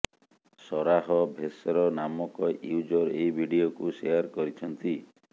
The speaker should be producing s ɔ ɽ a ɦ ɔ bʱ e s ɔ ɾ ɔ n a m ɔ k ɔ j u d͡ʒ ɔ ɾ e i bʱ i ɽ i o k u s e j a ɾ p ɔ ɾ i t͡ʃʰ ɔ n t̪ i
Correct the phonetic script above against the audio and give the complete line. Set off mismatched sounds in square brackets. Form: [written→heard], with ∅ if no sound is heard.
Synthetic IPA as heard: s ɔ [ɽ→ɾ] a ɦ ɔ bʱ e s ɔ ɾ ɔ n a m ɔ k ɔ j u d͡ʒ ɔ ɾ e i bʱ i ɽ i o k u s e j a ɾ [p→k] ɔ ɾ i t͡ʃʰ ɔ n t̪ i